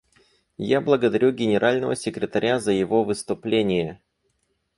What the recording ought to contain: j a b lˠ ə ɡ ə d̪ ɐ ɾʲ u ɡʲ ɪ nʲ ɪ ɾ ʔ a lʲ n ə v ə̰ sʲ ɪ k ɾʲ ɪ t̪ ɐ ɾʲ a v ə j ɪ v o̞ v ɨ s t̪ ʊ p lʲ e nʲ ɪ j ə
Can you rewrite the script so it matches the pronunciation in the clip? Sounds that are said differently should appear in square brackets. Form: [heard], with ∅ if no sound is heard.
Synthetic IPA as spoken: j a b lˠ ə ɡ ə d̪ ɐ ɾʲ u ɡʲ ɪ nʲ ɪ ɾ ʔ a lʲ n ə v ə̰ sʲ ɪ k ɾʲ ɪ t̪ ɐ ɾʲ a [z] ə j ɪ v o̞ v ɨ s t̪ ʊ p lʲ e nʲ ɪ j ə